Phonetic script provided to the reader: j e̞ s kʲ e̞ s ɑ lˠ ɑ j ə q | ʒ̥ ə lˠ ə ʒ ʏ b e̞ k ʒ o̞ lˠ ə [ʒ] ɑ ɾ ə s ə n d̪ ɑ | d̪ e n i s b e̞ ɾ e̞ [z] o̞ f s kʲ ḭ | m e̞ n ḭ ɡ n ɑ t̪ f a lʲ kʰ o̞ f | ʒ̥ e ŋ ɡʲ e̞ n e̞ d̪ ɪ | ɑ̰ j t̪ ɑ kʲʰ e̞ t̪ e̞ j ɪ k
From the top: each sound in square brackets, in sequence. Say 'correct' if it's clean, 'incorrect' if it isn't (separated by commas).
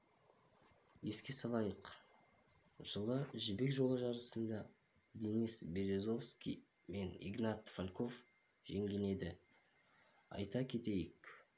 correct, correct